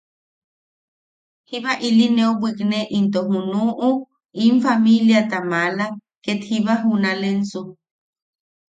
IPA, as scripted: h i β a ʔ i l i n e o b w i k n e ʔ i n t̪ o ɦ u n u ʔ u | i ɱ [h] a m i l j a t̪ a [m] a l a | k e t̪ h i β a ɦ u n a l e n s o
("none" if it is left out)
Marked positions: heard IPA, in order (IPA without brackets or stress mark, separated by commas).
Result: f, m